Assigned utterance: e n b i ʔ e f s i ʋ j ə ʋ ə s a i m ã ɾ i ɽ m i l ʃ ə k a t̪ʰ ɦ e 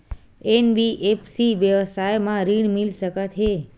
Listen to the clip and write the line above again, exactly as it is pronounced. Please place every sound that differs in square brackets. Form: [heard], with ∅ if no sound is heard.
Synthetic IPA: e n b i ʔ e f s i ʋ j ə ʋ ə s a [j] m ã ɾ i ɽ m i l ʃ ə k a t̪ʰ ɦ e